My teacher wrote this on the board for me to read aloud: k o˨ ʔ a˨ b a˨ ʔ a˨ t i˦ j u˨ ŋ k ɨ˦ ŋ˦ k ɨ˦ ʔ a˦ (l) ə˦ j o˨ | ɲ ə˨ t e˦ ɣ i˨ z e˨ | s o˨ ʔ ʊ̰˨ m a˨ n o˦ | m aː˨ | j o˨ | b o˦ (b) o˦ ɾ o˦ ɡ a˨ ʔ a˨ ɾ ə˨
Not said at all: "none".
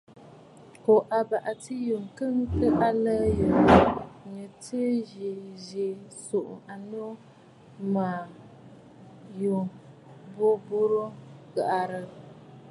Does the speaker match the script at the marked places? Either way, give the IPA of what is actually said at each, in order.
l, b

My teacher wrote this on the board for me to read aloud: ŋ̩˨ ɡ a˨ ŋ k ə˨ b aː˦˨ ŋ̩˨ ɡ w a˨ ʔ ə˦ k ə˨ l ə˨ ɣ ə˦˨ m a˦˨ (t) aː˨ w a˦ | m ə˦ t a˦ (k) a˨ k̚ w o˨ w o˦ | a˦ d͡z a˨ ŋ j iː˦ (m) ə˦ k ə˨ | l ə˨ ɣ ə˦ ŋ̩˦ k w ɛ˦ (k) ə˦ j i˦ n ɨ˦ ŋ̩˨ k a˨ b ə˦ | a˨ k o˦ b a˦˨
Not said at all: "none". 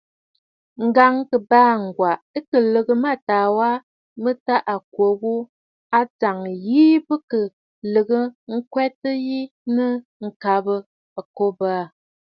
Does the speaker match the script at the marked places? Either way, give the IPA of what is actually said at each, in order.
t, ʔ, b, t

